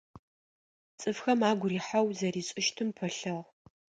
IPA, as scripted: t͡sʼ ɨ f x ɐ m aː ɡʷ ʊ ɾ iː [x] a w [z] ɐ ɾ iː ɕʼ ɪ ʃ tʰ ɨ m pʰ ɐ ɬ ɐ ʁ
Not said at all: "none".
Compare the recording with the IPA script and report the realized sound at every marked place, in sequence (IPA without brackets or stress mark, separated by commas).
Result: ħ, z